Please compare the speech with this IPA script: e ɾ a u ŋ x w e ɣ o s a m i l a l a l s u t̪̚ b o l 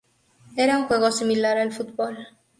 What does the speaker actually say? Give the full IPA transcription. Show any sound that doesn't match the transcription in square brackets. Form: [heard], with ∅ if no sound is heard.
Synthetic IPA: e ɾ a u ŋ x w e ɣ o s [i] m i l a [ɾ] a l [f] u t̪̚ b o l